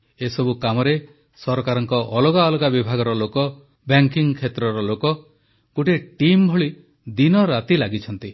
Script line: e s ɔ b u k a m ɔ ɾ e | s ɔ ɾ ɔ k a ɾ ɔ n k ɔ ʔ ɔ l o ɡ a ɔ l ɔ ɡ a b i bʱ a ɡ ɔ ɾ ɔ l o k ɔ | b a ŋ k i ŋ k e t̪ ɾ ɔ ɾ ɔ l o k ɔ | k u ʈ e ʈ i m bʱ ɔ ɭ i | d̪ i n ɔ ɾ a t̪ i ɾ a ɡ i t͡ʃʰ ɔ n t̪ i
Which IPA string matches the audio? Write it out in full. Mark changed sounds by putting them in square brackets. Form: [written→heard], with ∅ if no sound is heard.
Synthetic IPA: e s ɔ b u k a m ɔ ɾ e | s ɔ ɾ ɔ k a ɾ ɔ [n→ŋ] k ɔ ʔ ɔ l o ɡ a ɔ l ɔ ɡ a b i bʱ a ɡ ɔ ɾ ɔ l o k ɔ | b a ŋ k i ŋ [k→kʰ] e t̪ ɾ ɔ ɾ ɔ l o k ɔ | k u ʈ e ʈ i m bʱ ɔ ɭ i | d̪ i n ɔ ɾ a t̪ i [ɾ→l] a ɡ i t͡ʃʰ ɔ n t̪ i